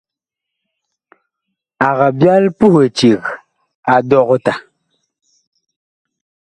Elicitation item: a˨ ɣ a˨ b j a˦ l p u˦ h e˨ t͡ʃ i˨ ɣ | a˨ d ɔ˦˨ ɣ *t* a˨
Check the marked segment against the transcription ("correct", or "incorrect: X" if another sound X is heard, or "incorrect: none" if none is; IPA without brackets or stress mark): correct